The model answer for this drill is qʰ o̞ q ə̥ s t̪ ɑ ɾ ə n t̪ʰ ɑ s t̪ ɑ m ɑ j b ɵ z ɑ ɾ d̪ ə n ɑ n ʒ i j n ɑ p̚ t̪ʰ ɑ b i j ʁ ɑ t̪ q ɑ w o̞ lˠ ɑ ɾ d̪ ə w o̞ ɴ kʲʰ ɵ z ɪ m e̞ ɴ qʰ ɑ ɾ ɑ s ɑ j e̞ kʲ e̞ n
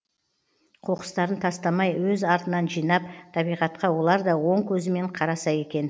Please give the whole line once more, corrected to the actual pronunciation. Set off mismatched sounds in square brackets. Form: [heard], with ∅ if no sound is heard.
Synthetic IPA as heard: qʰ o̞ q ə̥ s t̪ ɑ ɾ ə n t̪ʰ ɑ s t̪ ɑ m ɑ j [w] ɵ z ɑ ɾ [t̪] ə n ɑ n ʒ i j n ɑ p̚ t̪ʰ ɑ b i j ʁ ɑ t̪ q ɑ w o̞ lˠ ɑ ɾ d̪ [ɑ] w o̞ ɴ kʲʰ ɵ z ɪ m e̞ ɴ qʰ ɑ ɾ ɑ s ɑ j e̞ kʲ e̞ n